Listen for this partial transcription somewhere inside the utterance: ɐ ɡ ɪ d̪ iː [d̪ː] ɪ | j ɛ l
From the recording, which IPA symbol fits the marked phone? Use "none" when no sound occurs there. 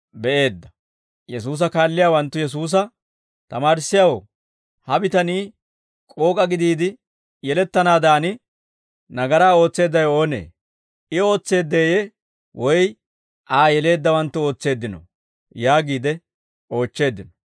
d̪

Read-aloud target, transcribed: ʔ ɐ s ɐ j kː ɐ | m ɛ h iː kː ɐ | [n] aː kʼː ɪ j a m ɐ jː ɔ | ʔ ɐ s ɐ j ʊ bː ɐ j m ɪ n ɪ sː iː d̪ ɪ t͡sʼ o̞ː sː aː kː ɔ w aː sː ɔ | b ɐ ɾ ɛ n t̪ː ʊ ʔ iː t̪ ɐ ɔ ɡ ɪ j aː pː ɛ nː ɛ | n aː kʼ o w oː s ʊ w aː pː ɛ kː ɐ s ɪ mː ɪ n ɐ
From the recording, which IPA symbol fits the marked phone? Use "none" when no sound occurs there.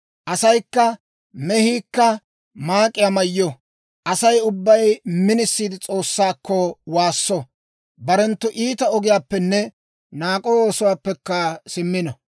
m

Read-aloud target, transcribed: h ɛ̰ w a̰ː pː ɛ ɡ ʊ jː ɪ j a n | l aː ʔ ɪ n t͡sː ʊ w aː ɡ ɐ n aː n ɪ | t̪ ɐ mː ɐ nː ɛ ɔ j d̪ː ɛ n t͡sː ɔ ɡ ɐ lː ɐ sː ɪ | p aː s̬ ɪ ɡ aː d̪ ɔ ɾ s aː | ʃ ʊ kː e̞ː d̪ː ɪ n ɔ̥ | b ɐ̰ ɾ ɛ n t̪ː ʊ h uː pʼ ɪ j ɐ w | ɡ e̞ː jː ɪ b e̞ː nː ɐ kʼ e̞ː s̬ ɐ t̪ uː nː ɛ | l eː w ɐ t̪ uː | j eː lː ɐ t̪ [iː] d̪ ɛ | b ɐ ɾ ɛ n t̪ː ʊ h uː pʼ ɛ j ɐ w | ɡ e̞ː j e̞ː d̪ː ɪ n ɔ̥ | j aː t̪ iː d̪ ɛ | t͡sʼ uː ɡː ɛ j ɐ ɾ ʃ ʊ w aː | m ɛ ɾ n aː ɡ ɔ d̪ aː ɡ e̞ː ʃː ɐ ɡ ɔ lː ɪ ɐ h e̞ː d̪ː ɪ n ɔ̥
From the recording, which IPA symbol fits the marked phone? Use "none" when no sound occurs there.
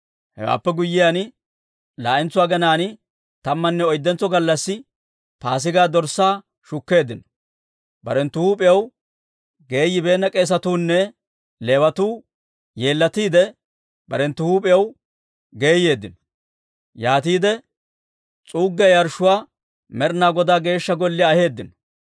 iː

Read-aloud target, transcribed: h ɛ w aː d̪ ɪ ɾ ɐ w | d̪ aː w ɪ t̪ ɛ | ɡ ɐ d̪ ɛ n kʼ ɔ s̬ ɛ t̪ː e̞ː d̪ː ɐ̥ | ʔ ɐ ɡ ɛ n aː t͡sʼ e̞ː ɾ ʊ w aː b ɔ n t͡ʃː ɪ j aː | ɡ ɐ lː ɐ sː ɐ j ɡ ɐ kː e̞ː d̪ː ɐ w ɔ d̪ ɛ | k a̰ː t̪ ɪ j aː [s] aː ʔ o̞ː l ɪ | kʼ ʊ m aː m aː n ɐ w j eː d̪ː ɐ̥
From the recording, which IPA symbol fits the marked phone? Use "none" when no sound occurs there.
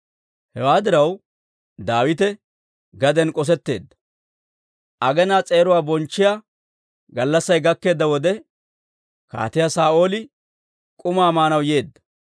s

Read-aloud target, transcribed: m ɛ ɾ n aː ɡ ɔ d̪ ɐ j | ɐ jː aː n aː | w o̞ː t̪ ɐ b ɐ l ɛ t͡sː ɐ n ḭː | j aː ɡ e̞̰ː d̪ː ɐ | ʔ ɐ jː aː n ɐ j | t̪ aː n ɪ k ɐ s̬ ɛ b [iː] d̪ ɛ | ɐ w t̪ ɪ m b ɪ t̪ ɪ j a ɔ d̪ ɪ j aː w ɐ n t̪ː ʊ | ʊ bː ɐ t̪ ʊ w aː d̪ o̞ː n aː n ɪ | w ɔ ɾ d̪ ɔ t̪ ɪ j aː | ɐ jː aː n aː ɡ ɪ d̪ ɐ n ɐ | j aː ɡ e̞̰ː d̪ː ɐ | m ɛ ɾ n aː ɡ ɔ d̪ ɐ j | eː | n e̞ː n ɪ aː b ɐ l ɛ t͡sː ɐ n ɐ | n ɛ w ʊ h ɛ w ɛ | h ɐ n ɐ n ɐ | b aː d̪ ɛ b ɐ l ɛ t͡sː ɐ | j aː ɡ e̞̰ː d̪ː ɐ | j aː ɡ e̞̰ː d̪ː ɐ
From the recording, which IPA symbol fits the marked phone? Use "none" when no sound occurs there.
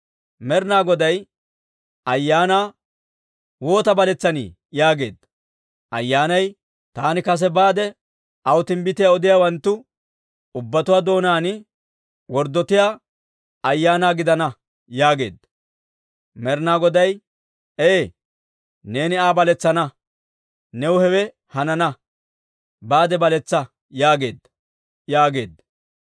aː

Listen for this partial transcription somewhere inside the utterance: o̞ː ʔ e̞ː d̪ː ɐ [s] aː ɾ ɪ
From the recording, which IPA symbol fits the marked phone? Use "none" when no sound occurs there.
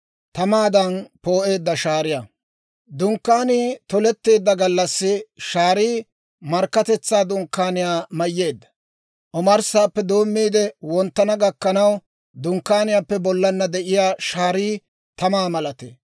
ʃ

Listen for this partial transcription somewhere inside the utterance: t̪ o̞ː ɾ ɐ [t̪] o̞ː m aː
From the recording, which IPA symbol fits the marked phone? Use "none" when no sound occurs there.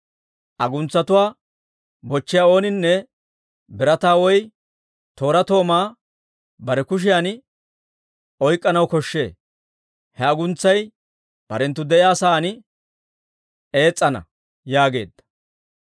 t̪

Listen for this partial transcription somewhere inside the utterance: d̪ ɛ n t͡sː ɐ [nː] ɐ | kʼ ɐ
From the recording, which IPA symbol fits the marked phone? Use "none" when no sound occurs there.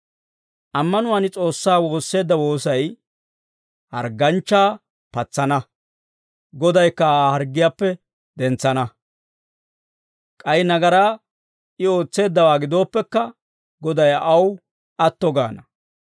n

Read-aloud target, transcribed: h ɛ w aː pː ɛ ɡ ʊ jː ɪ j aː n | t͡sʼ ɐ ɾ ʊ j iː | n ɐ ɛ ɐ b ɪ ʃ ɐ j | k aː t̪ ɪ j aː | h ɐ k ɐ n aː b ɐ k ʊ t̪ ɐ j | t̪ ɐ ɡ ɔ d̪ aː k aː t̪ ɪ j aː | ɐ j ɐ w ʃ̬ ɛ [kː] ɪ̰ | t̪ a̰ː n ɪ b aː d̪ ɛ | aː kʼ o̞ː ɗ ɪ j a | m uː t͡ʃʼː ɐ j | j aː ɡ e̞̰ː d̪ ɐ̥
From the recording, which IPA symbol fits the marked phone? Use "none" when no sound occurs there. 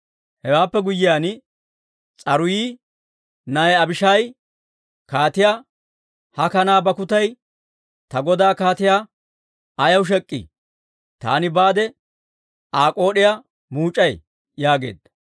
kʼː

